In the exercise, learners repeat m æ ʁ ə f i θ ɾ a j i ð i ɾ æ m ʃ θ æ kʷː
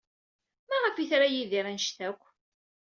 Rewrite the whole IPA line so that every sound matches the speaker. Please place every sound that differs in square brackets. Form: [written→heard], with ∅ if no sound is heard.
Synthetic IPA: m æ ʁ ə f i θ ɾ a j i ð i ɾ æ [m→n] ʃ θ æ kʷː